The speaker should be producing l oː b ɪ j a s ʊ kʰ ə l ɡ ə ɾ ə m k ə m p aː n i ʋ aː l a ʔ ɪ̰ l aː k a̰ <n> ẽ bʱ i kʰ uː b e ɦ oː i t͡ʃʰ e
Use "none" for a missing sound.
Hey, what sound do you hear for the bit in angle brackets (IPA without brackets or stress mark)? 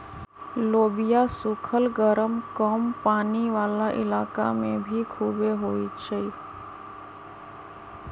m